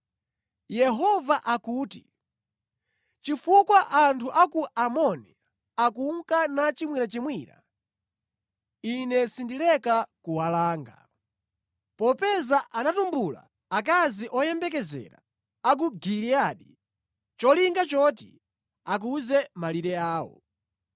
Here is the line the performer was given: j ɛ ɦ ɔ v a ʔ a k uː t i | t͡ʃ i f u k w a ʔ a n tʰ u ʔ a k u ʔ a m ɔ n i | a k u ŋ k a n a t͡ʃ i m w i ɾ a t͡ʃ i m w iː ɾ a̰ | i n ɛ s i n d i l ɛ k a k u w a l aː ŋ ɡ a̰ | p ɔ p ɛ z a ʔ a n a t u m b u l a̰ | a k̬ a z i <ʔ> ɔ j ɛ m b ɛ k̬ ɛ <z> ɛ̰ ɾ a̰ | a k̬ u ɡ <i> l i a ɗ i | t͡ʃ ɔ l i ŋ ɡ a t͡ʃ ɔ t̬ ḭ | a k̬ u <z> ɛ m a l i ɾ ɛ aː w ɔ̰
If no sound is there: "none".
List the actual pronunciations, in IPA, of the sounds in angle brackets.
ʔ, z, i, z

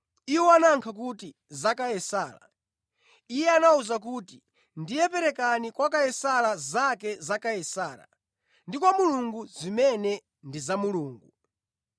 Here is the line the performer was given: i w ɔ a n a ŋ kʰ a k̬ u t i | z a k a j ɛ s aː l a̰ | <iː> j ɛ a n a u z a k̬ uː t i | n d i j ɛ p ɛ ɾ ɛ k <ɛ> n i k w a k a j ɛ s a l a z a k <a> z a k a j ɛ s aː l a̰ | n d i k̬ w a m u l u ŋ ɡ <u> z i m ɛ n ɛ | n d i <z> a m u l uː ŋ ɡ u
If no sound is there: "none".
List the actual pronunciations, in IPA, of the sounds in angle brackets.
i, a, ɛ, u, z

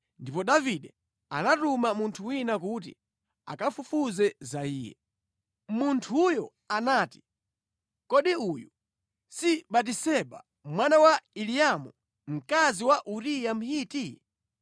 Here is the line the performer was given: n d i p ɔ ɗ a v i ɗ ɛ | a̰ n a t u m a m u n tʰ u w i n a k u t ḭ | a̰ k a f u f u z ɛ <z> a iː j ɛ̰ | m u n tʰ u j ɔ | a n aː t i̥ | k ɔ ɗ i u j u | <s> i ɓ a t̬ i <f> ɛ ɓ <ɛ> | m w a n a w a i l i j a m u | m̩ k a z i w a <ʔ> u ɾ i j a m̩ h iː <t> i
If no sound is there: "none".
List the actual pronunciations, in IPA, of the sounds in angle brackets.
z, s, s, a, ʔ, t

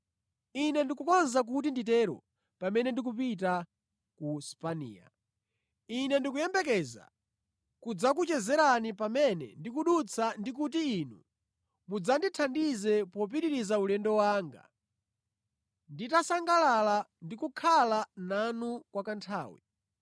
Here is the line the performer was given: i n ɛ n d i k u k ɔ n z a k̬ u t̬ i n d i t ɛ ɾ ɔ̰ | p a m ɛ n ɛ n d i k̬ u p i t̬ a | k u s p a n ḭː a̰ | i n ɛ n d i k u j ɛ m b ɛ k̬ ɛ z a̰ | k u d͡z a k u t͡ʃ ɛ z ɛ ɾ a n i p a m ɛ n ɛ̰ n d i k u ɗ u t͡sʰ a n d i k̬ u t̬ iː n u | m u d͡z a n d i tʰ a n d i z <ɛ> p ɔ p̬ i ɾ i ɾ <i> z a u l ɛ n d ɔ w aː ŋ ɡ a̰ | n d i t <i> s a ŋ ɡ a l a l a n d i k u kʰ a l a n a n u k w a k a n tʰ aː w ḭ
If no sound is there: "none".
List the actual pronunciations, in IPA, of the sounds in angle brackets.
ɛ, i, a

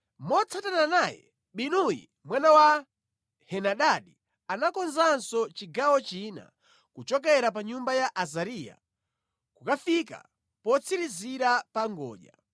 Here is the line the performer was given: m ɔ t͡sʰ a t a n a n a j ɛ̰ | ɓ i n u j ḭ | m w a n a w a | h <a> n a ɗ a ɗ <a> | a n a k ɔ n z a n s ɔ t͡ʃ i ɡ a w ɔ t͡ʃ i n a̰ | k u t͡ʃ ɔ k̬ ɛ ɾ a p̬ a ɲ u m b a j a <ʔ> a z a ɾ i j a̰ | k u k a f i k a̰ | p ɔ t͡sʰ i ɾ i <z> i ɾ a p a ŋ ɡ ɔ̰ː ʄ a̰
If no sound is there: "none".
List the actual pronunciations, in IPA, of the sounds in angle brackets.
ɛ, i, ʔ, z

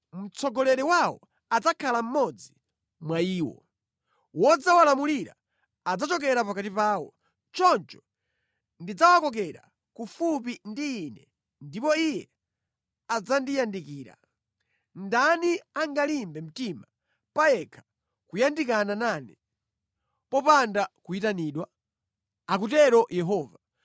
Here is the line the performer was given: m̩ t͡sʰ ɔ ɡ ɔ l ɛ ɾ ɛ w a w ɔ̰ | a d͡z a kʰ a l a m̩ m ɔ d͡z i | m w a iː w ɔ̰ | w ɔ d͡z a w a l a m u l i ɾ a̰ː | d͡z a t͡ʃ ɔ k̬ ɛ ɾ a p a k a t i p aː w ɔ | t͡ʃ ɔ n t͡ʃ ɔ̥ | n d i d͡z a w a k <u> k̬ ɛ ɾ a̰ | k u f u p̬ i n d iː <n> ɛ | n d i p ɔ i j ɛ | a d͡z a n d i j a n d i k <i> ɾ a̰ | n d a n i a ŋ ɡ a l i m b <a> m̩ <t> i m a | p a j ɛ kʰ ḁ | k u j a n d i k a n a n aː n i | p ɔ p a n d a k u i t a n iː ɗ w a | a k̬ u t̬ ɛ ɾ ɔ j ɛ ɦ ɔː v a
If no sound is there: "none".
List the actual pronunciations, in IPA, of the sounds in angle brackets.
ɔ, n, iː, ɛ, t

